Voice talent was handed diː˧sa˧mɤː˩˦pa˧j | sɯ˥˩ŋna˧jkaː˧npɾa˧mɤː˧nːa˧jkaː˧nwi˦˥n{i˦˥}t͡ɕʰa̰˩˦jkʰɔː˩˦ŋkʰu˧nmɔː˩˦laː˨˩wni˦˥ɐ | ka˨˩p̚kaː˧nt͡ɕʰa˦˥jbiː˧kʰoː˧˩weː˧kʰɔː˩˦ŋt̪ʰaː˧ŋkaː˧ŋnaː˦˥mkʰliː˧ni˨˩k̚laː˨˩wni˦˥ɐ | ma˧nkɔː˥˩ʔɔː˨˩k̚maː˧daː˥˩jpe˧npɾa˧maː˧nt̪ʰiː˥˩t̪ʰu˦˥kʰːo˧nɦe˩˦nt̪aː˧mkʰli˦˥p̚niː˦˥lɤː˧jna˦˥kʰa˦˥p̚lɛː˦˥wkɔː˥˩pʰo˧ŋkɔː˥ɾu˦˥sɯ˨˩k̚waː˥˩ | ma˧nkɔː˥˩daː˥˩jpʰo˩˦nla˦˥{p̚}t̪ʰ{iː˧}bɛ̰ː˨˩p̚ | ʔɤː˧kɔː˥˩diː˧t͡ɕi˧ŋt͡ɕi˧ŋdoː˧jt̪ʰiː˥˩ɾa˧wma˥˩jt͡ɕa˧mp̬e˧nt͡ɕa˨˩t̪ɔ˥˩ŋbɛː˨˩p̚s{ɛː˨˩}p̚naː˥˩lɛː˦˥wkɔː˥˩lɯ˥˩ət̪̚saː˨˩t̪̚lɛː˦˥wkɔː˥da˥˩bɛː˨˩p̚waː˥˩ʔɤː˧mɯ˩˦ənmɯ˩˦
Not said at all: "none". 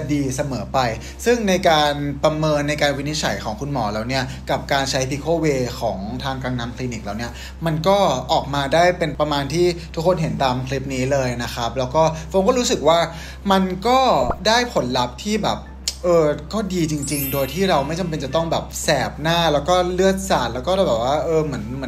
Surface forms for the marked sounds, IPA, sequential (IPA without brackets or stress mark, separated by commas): i˦˥, p̚, iː˥˩, ɛː˨˩